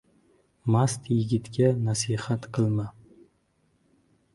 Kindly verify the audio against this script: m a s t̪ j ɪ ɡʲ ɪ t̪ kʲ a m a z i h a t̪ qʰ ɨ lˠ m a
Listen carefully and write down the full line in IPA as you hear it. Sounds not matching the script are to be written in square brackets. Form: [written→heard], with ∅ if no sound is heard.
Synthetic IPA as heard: m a s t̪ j ɪ ɡʲ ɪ t̪ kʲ a [m→n] a [z→s] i h a t̪ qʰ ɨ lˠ m a